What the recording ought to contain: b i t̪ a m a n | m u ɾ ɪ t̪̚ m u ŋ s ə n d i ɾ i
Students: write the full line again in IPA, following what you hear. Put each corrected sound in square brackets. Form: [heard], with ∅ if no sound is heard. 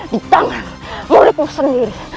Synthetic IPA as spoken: [d] i t̪ a [ŋ] a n | m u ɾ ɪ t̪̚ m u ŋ s ə n d i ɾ i